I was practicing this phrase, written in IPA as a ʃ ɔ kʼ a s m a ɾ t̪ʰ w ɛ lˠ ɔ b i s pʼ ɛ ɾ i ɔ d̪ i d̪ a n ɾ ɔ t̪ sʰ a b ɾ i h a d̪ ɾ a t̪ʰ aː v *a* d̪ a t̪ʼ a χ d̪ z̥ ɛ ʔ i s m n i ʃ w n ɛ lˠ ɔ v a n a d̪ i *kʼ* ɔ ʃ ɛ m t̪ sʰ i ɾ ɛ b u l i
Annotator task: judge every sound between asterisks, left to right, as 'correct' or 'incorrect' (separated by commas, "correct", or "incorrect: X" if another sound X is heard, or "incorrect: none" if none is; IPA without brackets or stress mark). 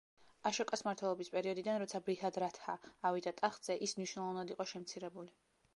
incorrect: i, incorrect: qʼ